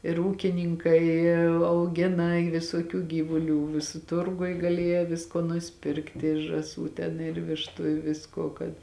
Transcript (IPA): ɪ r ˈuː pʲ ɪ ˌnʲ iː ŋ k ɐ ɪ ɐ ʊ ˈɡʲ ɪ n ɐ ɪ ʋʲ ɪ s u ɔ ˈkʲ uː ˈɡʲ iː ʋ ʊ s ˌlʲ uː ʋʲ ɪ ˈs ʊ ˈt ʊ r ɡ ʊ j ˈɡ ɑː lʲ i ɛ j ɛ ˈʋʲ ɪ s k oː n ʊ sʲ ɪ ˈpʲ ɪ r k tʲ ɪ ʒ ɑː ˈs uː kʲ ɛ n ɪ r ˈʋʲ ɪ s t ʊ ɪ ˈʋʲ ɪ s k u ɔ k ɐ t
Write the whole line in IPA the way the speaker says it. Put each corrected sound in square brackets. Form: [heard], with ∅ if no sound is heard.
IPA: ɪ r ˈuː [kʲ] ɪ ˌnʲ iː ŋ k ɐ ɪ ɐ ʊ ˈɡʲ ɪ n ɐ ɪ ʋʲ ɪ s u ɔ ˈkʲ uː ˈɡʲ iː ʋ ʊ [∅] ˌlʲ uː ʋʲ ɪ ˈs ʊ ˈt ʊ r ɡ ʊ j ˈɡ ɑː lʲ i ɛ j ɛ ˈʋʲ ɪ s k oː n ʊ sʲ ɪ ˈpʲ ɪ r k tʲ ɪ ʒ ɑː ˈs uː [tʲ] ɛ n ɪ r ˈʋʲ ɪ [ʃ] t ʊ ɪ ˈʋʲ ɪ s k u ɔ k ɐ t